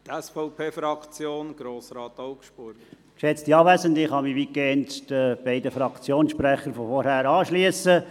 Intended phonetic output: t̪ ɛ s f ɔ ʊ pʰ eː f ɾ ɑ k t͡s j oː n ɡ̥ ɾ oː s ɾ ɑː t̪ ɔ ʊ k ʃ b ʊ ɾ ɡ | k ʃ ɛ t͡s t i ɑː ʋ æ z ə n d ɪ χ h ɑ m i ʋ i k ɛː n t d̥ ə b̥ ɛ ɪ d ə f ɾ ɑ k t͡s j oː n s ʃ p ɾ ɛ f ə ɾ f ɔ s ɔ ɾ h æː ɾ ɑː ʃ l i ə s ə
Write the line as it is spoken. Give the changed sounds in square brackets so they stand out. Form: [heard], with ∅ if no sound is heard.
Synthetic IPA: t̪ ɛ s f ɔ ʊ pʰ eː f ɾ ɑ k t͡s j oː n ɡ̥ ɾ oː s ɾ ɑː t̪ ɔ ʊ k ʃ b ʊ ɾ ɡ | k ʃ ɛ t͡s t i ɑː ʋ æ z ə n d ɪ χ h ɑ m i ʋ i k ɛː n t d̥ ə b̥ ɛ ɪ d ə f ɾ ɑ k t͡s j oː n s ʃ p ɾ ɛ [χ] ə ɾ f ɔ [f] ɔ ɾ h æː ɾ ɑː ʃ l i ə s ə